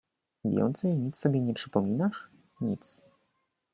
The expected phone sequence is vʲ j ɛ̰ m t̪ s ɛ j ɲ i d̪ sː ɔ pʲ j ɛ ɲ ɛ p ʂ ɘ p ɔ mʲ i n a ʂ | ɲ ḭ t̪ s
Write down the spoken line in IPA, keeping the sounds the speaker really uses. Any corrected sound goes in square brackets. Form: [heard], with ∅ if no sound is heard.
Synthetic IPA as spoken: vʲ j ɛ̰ [n] t̪ s ɛ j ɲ i [t̪] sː ɔ [bʲ] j ɛ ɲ ɛ p ʂ ɘ p ɔ mʲ i n a ʂ | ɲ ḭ t̪ s

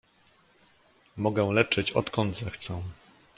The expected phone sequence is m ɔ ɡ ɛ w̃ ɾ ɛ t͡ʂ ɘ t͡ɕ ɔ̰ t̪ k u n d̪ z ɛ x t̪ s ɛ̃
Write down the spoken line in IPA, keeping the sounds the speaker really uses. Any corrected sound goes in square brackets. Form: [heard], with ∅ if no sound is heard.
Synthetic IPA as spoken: m ɔ ɡ ɛ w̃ [l] ɛ t͡ʂ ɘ t͡ɕ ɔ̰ t̪ k [ɔ] n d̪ z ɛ x t̪ s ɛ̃

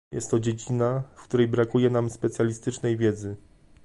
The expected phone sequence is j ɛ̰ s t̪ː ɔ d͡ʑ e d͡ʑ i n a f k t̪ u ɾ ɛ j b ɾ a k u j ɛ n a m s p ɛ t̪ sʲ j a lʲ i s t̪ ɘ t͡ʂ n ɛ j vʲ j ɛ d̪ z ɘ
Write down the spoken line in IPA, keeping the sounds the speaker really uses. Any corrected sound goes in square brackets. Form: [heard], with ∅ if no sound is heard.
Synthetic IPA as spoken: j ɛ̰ s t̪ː ɔ d͡ʑ e d͡ʑ i n a f k t̪ u ɾ ɛ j b ɾ a k u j ɛ n a m s p ɛ t̪ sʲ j a lʲ i s t̪ ɘ t͡ʂ n ɛ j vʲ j ɛ d̪ z ɘ

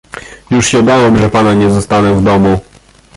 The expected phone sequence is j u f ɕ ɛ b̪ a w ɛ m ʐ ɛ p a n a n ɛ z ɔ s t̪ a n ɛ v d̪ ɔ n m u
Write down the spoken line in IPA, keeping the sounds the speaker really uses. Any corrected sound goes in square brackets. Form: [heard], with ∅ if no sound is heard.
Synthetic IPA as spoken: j u [ʂ] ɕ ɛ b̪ a w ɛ m ʐ ɛ p a n a [ɲ] ɛ z ɔ s t̪ a n ɛ v d̪ ɔ [∅] m u

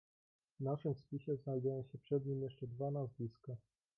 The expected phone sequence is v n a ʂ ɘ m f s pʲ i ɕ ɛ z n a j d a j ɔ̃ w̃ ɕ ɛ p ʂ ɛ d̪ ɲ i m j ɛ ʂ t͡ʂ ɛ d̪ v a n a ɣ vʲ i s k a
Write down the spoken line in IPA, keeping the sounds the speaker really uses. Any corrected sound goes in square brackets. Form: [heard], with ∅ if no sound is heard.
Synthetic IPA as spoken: v n a ʂ ɘ m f s pʲ i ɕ ɛ z n a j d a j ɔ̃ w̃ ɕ ɛ p ʂ ɛ d̪ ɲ i m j ɛ ʂ t͡ʂ ɛ d̪ v a n a [z] vʲ i s k a

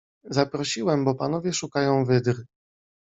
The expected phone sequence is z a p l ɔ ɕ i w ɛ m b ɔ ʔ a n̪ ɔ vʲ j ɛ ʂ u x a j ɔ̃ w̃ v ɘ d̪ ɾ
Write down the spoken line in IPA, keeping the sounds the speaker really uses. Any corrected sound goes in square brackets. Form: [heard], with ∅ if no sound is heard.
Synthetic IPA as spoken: z a p [ɾ] ɔ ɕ i w ɛ m b ɔ [p] a n̪ ɔ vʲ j ɛ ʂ u [k] a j ɔ̃ w̃ v ɘ d̪ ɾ

